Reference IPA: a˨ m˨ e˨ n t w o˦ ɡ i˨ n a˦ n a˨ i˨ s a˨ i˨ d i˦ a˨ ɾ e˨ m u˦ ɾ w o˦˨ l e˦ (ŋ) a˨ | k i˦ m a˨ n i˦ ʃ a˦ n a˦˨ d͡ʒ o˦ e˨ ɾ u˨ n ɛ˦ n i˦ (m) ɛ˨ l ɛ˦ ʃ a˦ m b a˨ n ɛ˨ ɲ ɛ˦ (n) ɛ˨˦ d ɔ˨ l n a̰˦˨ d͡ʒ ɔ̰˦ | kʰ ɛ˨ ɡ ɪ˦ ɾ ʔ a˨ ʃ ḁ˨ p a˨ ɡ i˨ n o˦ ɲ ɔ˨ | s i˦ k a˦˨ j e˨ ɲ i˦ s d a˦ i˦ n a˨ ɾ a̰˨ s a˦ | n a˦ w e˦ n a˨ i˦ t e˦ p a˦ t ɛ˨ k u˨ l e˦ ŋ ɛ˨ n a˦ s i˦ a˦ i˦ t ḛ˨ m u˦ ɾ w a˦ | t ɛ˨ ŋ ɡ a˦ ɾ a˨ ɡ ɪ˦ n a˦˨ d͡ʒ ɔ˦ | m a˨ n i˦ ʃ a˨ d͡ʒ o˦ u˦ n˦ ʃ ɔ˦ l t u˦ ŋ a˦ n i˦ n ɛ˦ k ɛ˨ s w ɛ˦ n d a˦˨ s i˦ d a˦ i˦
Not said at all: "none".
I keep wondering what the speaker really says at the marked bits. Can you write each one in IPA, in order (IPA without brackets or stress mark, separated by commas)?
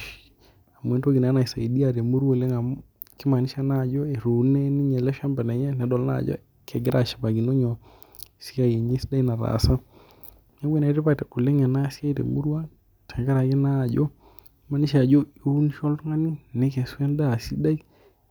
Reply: ŋ, ɲ, n